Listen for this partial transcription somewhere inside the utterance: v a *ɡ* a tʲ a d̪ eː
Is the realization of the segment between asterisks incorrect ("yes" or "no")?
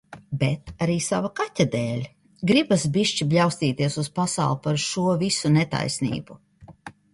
yes